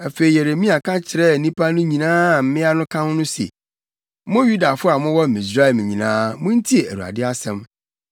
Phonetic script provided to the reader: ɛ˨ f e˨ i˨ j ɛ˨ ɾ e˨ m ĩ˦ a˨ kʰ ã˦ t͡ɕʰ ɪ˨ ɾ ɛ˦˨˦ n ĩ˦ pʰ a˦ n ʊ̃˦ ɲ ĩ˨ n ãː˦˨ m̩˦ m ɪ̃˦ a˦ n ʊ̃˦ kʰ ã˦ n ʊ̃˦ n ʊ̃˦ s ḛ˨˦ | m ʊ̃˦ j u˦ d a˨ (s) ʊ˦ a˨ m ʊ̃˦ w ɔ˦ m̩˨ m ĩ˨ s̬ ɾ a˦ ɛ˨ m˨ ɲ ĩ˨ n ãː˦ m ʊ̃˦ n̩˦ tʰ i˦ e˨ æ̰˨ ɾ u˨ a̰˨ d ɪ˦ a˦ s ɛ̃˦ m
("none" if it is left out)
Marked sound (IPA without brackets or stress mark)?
f